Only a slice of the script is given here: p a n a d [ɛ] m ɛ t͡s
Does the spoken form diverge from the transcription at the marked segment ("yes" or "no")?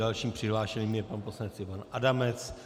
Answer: yes